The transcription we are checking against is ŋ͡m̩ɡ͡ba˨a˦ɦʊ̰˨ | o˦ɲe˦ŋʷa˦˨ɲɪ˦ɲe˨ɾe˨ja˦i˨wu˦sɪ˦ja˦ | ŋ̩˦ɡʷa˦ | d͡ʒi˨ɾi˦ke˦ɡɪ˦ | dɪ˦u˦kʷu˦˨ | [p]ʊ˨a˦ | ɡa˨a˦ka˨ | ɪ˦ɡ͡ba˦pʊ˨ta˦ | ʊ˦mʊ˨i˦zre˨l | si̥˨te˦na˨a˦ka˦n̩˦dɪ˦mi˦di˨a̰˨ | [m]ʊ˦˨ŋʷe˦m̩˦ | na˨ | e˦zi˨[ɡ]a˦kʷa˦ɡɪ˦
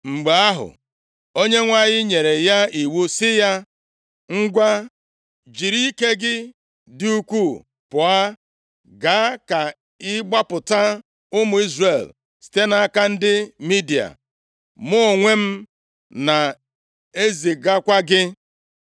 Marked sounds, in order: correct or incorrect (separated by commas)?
correct, correct, correct